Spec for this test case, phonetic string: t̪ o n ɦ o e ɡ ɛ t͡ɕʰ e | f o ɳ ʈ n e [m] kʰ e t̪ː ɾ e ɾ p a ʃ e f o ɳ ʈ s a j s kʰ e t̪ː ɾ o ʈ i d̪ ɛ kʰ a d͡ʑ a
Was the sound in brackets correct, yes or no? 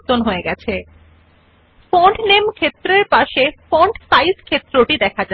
yes